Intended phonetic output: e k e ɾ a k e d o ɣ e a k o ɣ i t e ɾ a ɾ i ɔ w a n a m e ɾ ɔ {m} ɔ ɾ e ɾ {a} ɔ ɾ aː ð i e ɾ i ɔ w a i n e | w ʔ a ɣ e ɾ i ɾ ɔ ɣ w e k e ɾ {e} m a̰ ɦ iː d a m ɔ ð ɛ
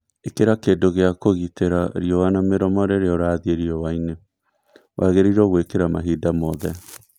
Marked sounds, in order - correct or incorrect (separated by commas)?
correct, incorrect, incorrect